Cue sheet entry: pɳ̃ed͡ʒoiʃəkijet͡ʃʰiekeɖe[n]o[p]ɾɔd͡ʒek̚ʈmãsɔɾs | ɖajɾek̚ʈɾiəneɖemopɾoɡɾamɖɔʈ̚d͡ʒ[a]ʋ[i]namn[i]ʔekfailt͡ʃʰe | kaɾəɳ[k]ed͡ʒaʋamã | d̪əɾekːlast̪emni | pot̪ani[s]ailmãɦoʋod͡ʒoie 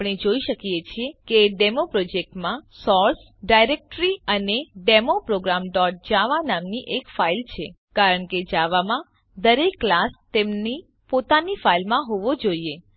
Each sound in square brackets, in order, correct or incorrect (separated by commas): incorrect, correct, correct, incorrect, correct, correct, incorrect